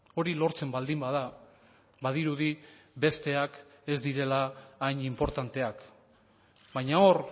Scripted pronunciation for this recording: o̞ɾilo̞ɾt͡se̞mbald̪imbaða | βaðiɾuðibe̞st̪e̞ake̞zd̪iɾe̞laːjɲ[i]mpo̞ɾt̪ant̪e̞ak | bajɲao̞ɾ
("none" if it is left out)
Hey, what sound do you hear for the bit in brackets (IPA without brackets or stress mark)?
i